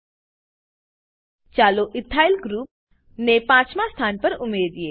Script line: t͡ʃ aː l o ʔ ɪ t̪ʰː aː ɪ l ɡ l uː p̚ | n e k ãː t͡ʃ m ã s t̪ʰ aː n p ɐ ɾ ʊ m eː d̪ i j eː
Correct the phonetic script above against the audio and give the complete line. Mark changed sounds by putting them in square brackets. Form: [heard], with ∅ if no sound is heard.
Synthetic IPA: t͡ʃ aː l o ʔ ɪ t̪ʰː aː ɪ l ɡ [ɾ] uː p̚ | n e [p] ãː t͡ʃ m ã s t̪ʰ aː n p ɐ ɾ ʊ m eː d̪ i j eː